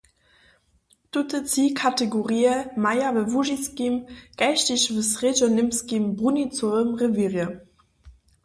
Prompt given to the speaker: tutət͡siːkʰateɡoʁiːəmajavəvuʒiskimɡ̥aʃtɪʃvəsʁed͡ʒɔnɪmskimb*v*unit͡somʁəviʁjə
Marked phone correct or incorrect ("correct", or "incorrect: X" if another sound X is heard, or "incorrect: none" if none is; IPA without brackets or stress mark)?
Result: incorrect: ʁ